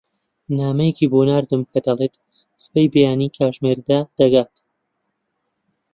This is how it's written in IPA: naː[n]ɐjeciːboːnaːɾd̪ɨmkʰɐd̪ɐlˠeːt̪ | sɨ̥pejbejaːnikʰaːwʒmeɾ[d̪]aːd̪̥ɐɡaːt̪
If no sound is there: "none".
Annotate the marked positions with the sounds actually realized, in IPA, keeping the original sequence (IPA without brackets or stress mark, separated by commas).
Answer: m, d̪